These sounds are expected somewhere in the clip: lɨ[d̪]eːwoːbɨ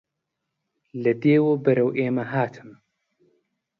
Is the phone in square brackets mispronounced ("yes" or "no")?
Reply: no